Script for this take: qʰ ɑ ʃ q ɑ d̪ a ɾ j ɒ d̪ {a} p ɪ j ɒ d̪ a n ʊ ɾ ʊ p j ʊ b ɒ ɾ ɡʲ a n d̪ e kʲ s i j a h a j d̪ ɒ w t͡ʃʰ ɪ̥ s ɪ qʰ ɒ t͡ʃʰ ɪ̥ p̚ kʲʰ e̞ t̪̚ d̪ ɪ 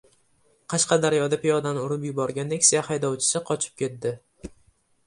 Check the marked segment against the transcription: correct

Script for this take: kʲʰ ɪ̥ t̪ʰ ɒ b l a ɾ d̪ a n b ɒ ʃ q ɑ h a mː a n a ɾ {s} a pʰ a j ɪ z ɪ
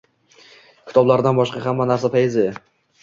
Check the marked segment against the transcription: correct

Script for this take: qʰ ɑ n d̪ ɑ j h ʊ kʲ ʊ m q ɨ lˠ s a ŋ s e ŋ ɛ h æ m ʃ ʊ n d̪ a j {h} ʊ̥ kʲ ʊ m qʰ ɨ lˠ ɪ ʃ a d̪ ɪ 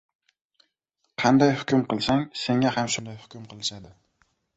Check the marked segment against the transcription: correct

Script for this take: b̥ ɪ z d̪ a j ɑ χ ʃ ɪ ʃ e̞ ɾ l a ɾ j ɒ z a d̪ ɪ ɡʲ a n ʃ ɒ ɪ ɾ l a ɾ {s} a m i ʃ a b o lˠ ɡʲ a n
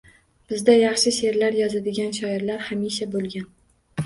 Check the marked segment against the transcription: incorrect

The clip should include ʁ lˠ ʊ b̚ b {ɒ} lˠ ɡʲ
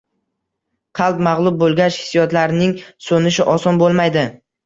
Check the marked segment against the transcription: incorrect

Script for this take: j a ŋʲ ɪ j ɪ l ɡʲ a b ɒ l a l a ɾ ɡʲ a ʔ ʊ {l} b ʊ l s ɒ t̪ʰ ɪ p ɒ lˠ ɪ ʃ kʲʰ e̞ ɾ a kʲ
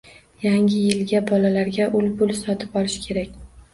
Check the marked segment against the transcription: correct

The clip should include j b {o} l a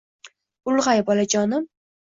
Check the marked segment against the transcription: incorrect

